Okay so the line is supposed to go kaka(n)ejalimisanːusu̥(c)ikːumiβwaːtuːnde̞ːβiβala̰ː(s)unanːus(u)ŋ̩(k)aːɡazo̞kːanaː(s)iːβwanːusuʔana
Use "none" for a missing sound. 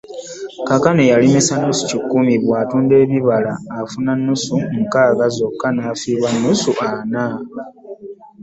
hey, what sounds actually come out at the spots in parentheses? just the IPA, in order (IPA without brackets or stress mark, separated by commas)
n, c, f, u, k, f